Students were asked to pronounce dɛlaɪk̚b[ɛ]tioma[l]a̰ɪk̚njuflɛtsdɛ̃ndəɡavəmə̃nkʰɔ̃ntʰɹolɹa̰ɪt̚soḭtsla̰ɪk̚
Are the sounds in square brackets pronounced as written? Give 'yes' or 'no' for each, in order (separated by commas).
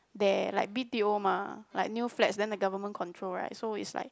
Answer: no, yes